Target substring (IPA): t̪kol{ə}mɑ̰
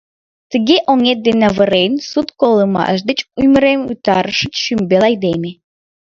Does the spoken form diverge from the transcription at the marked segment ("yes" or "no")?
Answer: no